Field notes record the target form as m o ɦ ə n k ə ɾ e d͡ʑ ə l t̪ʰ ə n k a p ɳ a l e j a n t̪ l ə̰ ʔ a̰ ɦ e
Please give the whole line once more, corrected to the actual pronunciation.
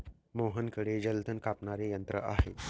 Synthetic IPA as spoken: m o ɦ ə n k ə ɽ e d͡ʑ ə l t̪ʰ ə n k a p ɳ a ɾ e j ə n t̪ ɾ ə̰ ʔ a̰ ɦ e

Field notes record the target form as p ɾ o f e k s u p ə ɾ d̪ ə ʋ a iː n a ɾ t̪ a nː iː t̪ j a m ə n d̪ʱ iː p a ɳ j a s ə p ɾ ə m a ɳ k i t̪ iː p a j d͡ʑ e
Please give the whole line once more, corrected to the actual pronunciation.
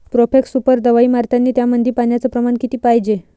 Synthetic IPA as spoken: p ɾ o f e k s u p ə ɾ d̪ ə ʋ a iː m a ɾ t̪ a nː iː t̪ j a m ə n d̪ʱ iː p a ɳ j a t͡s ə p ɾ ə m a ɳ k i t̪ iː p a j d͡ʑ e

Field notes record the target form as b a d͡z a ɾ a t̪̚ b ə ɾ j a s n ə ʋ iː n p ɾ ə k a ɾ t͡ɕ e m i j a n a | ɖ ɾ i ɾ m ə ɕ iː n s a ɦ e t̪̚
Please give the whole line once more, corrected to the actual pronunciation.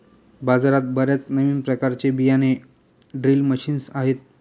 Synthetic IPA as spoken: b a d͡z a ɾ a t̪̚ b ə ɾ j a t͡s n ə ʋ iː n p ɾ ə k a ɾ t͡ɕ e b i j a n e | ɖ ɾ i l m ə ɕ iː n s a ɦ e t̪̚

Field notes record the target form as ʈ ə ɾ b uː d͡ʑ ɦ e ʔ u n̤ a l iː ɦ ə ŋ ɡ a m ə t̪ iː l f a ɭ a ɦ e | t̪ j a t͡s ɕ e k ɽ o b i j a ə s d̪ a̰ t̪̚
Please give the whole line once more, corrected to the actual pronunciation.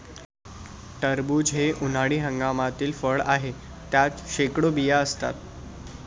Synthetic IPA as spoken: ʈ ə ɾ b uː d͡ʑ ɦ e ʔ u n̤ a ɽ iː ɦ ə ŋ ɡ a m a t̪ iː l f ə ɭ a ɦ e | t̪ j a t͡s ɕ e k ɽ o b i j a ə s t̪ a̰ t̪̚

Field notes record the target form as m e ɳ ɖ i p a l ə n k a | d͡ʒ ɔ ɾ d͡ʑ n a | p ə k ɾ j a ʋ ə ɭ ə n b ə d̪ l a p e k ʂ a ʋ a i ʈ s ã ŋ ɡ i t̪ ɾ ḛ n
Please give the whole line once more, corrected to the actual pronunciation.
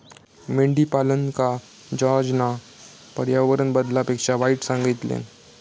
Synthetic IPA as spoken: m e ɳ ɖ i p a l ə n k a | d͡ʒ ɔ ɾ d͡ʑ n a | p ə ɾ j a ʋ ə ɾ ə n b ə d̪ l a p e k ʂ a ʋ a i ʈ s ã ŋ ɡ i t̪ l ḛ n

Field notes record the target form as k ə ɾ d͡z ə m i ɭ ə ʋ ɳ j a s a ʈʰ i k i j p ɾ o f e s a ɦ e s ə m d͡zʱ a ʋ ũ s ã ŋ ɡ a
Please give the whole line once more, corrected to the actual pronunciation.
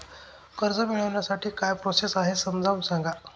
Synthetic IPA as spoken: k ə ɾ d͡z ə m i ɭ ə ʋ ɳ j a s a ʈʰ iː k a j p ɾ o s e s a ɦ e s ə m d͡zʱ a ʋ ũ s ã ŋ ɡ a

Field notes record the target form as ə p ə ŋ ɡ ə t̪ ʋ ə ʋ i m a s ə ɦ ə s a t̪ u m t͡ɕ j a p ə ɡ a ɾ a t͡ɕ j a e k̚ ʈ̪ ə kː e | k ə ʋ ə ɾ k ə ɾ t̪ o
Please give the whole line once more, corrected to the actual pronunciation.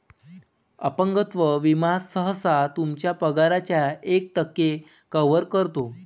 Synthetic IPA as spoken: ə p ə ŋ ɡ ə t̪ ʋ ə ʋ i m a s ə ɦ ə s a t̪ u m t͡ɕ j a p ə ɡ a ɾ a t͡ɕ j a e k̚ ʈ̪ ə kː e | k ə ʋ ə ɾ k ə ɾ t̪ o

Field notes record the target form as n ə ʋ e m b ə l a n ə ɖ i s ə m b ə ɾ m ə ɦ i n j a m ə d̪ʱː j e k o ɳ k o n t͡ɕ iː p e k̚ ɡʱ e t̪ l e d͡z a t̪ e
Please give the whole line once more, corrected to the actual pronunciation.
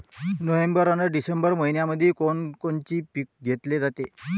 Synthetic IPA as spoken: n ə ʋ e m b ə ɾ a n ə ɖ i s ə m b ə ɾ m ə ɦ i n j a m ə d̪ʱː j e k o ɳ k o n t͡ɕ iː p i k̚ ɡʱ e t̪ l e d͡z a t̪ e

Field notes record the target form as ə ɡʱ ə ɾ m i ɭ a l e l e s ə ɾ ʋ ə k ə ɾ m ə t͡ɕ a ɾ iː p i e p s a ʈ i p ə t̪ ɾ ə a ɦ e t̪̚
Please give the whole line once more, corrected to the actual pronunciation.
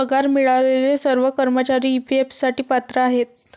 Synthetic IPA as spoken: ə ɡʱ a ɾ m i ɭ a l e l e s ə ɾ ʋ ə k ə ɾ m ə t͡ɕ a ɾ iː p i e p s a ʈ iː p a t̪ ɾ ə a ɦ e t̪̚

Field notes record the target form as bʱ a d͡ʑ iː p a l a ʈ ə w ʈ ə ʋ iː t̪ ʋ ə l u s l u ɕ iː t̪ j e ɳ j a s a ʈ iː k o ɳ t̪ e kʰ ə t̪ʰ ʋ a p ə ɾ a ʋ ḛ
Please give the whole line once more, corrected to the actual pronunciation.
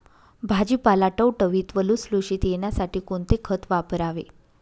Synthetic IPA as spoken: bʱ a d͡ʑ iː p a l a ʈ ə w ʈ ə ʋ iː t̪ ʋ ə l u s l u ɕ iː t̪ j e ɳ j a s a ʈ iː k o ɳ t̪ e kʰ ə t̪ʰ ʋ a p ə ɾ a ʋ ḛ

